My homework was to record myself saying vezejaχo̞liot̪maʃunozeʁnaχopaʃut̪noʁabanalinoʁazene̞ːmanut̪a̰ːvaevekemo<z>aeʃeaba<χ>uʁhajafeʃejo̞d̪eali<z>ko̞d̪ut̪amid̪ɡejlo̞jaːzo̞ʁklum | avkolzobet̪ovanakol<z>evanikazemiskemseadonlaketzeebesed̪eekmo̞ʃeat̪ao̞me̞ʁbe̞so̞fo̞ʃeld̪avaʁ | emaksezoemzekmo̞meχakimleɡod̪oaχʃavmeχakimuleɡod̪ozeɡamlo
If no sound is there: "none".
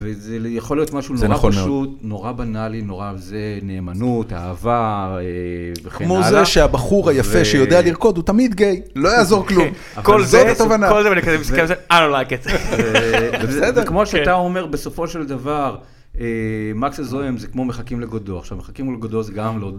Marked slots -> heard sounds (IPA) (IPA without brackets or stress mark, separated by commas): z, χ, ʁ, z